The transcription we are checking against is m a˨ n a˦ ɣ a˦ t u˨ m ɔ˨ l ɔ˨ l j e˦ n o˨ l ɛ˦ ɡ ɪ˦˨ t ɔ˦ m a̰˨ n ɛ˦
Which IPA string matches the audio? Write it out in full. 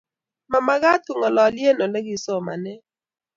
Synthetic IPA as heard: m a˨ m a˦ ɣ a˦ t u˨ ŋ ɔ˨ l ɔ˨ l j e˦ n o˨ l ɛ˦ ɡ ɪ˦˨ s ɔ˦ m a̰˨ n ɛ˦